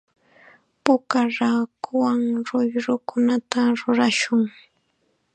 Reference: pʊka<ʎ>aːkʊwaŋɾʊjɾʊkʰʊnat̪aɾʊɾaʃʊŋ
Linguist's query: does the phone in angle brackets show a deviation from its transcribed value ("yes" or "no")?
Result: yes